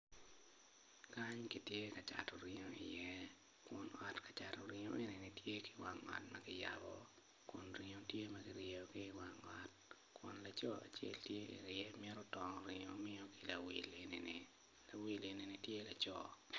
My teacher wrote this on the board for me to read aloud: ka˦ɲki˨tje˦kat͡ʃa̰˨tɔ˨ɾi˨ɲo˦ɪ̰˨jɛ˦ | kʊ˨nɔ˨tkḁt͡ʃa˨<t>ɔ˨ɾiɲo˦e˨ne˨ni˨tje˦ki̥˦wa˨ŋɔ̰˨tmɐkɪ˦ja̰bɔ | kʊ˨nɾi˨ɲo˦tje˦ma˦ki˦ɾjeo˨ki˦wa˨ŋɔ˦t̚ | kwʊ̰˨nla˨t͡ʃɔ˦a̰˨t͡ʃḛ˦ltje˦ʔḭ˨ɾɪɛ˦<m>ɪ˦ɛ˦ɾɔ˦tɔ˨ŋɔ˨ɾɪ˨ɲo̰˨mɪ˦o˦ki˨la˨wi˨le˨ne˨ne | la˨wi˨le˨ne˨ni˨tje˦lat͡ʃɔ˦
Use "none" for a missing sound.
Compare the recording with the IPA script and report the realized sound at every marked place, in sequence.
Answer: t, m

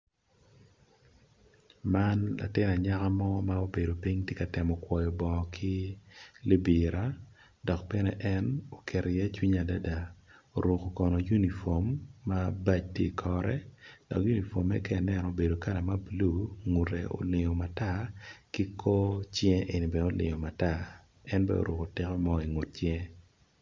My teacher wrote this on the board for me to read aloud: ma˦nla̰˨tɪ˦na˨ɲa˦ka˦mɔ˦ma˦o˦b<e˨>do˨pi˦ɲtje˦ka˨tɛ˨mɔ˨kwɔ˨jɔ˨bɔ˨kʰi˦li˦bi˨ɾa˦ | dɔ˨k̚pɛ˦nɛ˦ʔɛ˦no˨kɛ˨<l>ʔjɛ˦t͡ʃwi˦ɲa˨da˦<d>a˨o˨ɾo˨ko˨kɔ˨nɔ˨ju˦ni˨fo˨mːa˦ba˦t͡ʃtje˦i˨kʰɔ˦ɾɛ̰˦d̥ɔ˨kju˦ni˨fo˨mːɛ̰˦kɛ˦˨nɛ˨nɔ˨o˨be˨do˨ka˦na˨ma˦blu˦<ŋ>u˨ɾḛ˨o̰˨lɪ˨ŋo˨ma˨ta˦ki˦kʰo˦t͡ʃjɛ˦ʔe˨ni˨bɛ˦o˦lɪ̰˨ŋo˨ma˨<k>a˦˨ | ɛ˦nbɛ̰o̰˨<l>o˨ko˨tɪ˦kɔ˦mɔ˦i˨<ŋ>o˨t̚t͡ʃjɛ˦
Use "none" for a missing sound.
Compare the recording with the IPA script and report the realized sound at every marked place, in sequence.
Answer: e˨, ɾ, d, ŋ, t, ɾ, ŋ

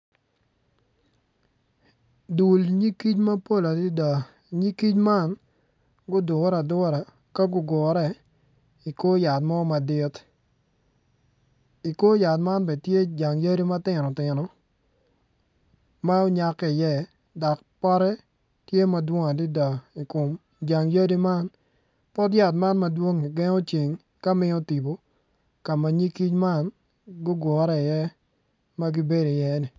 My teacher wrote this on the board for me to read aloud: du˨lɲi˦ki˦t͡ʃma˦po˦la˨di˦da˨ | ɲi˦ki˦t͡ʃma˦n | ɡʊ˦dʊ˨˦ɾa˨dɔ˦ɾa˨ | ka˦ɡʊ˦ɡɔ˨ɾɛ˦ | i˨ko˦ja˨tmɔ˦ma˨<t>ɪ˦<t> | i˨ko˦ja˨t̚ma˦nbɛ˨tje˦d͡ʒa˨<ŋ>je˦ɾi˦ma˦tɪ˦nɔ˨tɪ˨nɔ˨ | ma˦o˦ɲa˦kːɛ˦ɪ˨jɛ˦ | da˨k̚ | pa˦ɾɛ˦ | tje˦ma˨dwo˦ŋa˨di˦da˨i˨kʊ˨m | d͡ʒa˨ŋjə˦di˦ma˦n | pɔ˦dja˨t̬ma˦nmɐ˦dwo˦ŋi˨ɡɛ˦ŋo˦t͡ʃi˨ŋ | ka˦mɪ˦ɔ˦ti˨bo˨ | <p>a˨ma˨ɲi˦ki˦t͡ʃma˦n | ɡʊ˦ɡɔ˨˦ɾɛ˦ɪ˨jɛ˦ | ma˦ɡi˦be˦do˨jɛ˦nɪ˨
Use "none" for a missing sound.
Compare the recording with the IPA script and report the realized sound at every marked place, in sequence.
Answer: d, t, ŋ, k

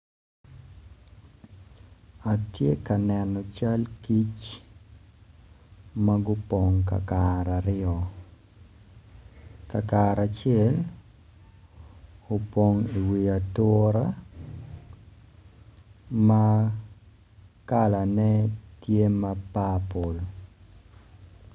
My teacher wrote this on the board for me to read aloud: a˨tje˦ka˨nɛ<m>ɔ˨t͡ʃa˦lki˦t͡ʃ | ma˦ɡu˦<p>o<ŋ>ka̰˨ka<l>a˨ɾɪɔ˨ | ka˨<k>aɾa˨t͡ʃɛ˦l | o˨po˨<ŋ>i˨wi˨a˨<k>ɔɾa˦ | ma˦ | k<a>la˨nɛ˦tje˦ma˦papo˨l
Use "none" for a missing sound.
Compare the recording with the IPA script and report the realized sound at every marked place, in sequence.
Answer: n, p, ŋ, ɾ, k, ŋ, t, a

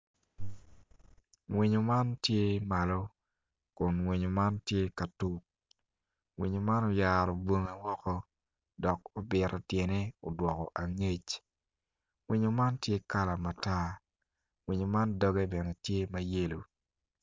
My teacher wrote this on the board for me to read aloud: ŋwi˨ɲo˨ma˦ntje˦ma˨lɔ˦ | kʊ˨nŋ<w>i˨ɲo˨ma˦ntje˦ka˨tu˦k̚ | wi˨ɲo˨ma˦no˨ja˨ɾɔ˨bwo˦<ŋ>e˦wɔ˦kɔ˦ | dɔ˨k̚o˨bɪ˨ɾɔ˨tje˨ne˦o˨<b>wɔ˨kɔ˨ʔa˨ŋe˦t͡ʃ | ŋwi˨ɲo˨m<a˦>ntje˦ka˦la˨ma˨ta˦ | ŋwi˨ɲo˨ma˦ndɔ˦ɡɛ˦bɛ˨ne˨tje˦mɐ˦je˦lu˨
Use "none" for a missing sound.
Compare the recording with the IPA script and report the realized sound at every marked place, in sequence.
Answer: w, ŋ, d, a˦

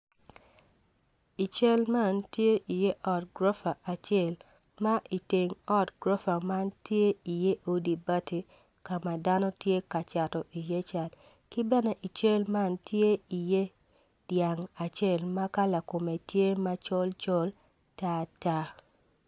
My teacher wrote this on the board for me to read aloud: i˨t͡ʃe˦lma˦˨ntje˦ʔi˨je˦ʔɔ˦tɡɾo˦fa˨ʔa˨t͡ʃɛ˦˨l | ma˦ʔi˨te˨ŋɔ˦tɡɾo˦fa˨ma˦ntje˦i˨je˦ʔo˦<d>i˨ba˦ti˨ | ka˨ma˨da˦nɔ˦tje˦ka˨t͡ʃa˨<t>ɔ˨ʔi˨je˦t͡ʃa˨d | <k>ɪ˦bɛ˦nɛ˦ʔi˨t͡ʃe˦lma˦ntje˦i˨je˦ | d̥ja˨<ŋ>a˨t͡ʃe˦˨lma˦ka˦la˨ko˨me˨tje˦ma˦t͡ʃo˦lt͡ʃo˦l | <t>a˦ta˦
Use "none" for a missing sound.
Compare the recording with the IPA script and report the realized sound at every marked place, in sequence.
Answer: d, t, k, ŋ, t

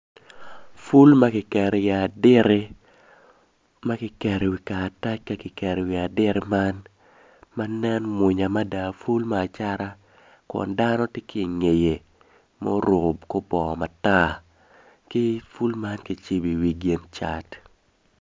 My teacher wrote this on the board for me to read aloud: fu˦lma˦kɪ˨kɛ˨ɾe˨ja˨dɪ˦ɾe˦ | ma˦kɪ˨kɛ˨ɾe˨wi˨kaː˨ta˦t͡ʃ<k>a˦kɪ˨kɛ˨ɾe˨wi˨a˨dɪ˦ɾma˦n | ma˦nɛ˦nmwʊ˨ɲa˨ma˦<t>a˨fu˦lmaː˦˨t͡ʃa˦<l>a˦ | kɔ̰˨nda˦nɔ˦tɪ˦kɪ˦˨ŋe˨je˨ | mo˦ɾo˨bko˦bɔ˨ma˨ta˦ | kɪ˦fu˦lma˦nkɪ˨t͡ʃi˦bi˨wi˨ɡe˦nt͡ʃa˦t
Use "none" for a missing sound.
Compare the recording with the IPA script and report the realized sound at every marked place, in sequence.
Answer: k, d, ɾ

